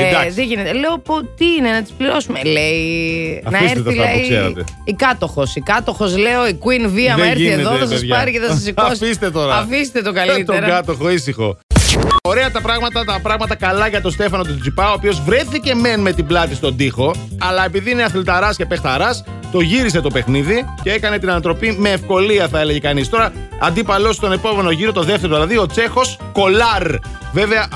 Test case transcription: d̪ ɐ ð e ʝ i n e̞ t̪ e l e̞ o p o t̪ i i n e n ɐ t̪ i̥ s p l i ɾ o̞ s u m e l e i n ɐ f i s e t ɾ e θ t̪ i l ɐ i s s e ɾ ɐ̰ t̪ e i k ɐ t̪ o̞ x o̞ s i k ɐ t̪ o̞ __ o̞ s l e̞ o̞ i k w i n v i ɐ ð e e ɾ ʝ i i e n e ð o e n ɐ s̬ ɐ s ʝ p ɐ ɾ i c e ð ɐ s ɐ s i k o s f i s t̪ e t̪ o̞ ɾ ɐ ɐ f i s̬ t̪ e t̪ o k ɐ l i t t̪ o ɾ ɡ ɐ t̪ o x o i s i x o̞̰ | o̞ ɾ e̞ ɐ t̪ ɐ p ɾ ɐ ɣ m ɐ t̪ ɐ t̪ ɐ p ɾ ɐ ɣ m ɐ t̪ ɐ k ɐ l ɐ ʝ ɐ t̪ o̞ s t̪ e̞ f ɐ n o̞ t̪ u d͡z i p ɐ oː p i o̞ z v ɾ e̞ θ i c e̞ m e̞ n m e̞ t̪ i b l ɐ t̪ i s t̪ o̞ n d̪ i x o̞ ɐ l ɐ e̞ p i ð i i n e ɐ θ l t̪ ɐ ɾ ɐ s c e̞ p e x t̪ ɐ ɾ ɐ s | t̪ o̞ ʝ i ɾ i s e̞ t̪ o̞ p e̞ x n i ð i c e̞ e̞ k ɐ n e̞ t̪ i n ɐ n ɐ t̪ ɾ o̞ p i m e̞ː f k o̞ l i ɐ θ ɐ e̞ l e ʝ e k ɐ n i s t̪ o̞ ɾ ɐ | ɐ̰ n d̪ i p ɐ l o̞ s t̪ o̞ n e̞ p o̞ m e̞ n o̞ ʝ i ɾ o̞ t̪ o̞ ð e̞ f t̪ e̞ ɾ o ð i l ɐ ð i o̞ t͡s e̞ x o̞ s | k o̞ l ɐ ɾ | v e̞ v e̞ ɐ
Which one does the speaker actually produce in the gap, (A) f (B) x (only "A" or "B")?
B